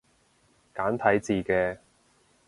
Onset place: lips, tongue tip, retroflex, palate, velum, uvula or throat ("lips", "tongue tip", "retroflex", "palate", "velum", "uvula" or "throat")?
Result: velum